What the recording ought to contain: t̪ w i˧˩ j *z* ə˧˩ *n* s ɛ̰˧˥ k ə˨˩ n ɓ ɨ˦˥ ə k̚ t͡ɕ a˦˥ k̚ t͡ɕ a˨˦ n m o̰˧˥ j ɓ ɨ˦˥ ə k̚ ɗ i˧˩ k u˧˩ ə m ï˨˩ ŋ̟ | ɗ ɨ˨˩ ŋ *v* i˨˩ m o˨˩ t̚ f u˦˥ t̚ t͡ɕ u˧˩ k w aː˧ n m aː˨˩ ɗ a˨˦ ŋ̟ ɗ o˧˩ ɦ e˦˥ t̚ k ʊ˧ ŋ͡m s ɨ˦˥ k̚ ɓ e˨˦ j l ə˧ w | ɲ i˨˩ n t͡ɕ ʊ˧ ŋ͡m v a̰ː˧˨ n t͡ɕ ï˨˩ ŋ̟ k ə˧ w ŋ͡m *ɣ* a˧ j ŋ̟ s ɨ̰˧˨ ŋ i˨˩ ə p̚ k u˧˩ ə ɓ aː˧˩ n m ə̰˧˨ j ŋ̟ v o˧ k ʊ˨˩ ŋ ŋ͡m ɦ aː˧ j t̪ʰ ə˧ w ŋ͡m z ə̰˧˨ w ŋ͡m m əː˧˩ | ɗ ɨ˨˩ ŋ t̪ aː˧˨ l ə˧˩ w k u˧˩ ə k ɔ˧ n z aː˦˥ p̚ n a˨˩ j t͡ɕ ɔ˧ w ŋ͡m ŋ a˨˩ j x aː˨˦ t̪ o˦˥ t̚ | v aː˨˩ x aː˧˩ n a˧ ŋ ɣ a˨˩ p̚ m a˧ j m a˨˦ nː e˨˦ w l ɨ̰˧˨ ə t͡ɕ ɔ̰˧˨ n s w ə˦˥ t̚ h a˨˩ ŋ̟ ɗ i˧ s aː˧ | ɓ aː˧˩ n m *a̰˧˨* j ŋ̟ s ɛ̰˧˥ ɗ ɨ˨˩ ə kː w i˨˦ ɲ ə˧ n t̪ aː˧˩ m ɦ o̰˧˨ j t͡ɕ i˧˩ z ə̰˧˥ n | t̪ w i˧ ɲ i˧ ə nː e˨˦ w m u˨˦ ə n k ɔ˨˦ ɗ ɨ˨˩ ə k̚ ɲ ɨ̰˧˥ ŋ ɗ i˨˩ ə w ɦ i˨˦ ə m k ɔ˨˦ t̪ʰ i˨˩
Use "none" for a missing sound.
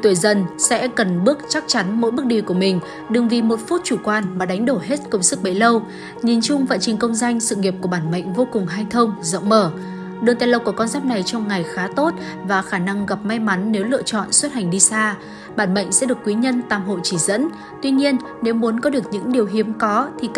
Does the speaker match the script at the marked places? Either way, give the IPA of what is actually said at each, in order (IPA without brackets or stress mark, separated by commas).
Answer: z, n, v, z, ə̰˧˨